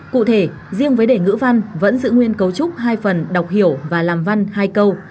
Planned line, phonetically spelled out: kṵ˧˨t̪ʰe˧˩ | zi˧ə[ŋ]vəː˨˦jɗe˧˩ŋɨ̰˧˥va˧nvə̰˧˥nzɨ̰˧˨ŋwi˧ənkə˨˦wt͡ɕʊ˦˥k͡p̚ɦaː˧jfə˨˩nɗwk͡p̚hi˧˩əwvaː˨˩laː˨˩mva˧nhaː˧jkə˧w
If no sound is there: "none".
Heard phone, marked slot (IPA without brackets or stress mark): ŋ